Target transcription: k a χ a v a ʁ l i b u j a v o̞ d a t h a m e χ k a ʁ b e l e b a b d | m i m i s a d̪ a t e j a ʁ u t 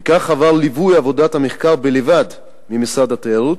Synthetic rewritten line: k a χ a v a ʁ l i v u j a v o̞ d a t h a m e χ k a ʁ b e l e v a d | m i m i s a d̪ a t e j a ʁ u t